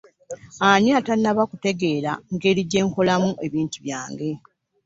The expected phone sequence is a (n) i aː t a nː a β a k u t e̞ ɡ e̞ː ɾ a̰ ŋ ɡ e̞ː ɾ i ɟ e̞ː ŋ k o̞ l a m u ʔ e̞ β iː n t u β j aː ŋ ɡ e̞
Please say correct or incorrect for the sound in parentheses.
incorrect